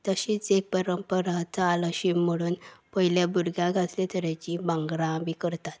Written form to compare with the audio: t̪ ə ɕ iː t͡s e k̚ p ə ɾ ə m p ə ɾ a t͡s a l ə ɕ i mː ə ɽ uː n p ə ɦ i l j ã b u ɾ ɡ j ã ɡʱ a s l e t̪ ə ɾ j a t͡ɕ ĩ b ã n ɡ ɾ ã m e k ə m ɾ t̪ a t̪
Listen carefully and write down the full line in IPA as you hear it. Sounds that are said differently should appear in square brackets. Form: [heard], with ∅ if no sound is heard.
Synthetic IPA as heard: t̪ ə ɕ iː t͡s e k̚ p ə ɾ ə m p ə ɾ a t͡s a l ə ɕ i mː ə ɽ uː n p ə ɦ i l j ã b u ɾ ɡ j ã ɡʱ a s l e t̪ ə ɾ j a t͡ɕ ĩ b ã [ŋ] ɡ ɾ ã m [i] k ə [∅] ɾ t̪ a t̪